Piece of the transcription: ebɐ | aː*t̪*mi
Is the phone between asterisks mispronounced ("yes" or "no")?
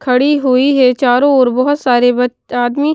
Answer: yes